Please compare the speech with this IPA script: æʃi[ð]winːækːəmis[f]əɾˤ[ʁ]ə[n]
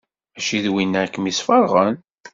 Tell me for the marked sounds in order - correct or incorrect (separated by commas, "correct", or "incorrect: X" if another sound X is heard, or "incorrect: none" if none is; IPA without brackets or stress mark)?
correct, correct, correct, correct